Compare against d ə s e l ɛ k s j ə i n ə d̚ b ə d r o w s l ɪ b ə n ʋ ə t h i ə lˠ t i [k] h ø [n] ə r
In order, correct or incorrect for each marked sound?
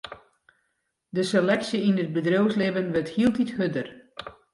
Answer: incorrect: t, incorrect: d

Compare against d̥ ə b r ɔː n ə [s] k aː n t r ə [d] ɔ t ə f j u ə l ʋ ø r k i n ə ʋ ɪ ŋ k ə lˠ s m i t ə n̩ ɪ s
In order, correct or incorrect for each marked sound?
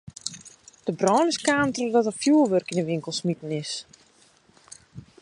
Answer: correct, correct

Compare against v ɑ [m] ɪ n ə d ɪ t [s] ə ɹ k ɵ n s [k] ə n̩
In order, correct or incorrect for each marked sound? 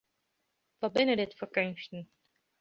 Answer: incorrect: b, incorrect: f, incorrect: t

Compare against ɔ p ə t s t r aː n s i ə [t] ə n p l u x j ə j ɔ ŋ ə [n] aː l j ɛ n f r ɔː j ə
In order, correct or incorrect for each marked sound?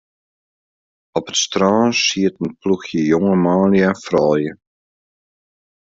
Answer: correct, incorrect: m

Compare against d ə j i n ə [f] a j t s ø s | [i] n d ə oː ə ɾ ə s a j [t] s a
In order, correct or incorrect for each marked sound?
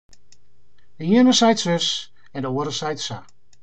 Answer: incorrect: s, incorrect: ɛ, correct

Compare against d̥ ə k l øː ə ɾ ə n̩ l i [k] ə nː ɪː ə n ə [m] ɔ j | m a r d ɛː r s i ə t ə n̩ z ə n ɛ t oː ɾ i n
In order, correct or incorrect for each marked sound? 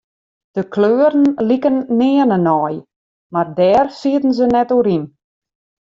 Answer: correct, incorrect: n

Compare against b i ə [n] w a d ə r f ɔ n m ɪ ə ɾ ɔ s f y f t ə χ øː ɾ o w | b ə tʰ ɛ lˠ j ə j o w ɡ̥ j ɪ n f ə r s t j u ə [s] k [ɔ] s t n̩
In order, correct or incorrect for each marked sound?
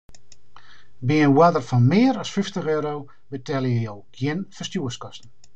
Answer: correct, correct, correct

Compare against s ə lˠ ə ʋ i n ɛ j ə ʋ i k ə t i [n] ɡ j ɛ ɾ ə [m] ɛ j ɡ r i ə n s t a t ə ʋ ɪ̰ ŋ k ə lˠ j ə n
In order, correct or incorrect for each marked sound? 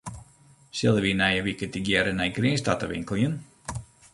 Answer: incorrect: none, incorrect: n

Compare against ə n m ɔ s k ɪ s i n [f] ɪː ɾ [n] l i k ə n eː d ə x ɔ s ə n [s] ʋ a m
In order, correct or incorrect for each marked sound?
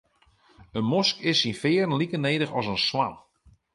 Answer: correct, correct, correct

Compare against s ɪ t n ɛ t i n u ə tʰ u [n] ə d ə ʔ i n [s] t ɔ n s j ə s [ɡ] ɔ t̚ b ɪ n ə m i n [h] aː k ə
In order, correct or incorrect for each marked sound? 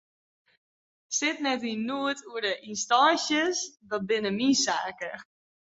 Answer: incorrect: none, correct, incorrect: d, incorrect: s

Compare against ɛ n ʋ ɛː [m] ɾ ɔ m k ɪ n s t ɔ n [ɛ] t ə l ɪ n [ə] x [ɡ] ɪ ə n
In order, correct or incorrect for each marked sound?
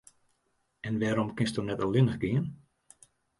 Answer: incorrect: none, correct, correct, correct

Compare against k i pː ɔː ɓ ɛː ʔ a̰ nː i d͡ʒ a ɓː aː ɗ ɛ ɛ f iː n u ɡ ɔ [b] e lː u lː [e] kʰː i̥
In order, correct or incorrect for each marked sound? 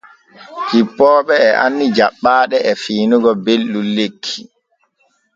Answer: correct, correct

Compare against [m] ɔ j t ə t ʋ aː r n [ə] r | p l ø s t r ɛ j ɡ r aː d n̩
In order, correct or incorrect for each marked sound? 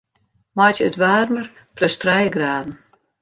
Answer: correct, correct

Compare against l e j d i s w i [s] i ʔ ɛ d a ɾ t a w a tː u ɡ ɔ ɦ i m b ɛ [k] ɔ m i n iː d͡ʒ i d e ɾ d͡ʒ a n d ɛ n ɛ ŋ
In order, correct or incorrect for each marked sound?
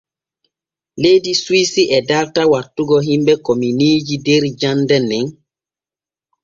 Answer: correct, correct

